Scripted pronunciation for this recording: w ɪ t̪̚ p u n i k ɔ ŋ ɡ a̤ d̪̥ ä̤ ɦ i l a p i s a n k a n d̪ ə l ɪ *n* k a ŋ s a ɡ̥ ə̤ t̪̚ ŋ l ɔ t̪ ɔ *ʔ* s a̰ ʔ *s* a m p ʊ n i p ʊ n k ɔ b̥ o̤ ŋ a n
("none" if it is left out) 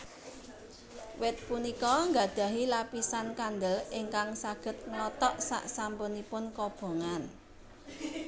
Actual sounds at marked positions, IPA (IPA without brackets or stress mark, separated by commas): ŋ, ʔ, s